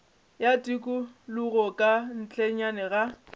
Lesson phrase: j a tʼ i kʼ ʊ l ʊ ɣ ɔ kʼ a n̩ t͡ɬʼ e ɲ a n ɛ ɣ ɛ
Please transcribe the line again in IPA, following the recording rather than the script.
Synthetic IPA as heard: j a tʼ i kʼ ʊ l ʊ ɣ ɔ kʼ a n̩ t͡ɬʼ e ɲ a n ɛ ɣ a